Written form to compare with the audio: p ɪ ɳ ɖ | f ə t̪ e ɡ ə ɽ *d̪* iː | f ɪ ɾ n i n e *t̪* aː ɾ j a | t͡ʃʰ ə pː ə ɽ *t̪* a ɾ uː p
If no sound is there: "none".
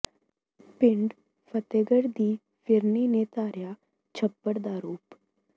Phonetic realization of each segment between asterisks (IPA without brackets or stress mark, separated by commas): d̪, t̪, d̪